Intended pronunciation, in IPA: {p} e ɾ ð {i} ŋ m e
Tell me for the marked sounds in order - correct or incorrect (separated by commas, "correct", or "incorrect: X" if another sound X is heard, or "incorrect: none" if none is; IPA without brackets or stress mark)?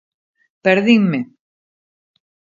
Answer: correct, correct